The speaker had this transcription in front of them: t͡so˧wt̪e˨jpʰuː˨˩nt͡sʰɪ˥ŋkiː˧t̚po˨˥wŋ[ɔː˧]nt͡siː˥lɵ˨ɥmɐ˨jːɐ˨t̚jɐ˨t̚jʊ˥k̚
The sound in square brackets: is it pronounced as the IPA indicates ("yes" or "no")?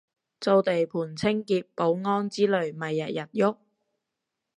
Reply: no